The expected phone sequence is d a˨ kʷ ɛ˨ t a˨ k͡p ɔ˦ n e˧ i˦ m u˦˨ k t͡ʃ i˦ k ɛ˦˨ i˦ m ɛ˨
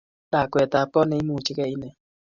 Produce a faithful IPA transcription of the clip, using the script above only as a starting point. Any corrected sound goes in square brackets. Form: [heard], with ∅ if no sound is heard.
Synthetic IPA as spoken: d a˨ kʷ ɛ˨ t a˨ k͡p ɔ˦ n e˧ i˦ m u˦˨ [∅] t͡ʃ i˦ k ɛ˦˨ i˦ [n] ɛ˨